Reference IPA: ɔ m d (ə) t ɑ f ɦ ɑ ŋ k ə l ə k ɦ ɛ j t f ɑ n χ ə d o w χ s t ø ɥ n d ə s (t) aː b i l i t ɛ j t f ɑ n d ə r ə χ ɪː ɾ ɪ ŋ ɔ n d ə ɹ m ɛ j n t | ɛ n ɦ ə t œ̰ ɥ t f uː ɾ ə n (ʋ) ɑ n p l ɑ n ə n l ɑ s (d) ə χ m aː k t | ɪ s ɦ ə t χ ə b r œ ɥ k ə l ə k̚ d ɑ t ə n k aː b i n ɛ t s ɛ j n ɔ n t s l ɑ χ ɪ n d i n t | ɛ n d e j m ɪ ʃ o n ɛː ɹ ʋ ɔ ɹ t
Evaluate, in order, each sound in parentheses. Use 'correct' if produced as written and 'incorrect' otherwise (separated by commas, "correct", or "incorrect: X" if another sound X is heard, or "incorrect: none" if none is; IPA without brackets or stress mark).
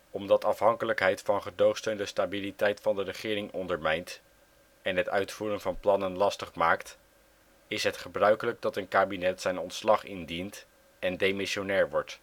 incorrect: ɑ, correct, incorrect: v, incorrect: t